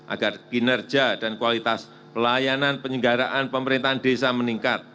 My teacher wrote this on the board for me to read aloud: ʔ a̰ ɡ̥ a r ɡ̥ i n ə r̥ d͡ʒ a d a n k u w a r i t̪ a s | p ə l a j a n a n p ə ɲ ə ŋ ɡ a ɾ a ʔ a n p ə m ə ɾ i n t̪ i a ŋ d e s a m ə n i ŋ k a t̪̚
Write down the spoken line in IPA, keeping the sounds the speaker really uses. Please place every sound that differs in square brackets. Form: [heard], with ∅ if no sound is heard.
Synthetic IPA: ʔ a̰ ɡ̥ a r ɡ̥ i n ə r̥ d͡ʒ a d a n k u w a [l] i t̪ a s | p ə l a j a n a n p ə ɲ ə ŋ ɡ a ɾ a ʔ a n p ə m ə ɾ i n t̪ [a] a [n] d e s a m ə n i ŋ k a t̪̚